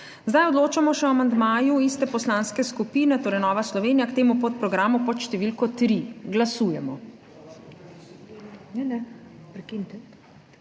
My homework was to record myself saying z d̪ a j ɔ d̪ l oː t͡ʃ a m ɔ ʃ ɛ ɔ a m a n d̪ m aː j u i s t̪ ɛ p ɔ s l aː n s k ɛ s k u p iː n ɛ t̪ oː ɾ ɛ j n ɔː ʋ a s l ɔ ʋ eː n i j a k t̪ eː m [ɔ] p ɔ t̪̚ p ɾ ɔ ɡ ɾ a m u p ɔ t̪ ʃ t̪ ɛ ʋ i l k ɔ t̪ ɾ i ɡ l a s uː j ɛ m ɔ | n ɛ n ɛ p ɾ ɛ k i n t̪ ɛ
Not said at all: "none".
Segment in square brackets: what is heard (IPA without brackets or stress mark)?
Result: u